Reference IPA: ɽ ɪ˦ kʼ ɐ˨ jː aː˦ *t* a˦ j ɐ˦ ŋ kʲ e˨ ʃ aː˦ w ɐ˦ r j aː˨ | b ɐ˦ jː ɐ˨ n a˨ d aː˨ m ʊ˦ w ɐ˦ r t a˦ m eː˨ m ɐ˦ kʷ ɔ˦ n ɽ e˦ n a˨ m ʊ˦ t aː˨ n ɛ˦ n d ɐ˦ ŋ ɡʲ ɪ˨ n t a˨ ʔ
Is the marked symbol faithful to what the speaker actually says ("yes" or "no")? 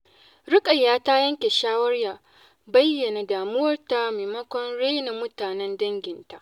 yes